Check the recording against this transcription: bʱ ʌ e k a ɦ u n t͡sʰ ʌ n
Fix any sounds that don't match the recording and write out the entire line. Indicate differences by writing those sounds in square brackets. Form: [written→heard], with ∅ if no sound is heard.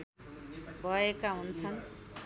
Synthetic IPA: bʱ ʌ e k a ɦ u n t͡sʰ ʌ n